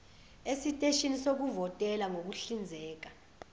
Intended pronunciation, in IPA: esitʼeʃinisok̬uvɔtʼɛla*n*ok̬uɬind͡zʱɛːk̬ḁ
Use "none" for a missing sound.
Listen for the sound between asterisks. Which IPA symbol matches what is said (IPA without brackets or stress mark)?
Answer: ŋ